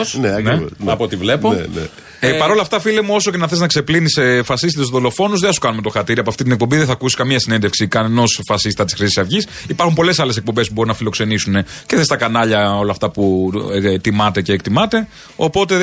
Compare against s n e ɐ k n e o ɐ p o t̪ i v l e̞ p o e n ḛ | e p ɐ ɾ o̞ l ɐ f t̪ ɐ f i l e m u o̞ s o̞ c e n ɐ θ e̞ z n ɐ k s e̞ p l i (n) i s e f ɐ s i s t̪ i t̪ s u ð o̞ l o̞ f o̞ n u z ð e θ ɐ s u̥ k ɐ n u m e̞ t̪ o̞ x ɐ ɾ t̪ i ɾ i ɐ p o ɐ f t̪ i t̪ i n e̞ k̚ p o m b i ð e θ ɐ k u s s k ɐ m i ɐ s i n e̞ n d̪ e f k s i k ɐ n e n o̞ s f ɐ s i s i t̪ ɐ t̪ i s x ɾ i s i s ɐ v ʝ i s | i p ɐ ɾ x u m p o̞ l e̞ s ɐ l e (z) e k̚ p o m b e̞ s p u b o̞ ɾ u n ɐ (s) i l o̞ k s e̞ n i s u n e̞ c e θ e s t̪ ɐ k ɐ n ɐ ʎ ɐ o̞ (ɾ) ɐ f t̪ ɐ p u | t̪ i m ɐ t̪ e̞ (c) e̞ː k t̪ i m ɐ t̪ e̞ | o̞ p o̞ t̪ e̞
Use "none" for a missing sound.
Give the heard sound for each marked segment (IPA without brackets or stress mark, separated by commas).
n, s, f, l, c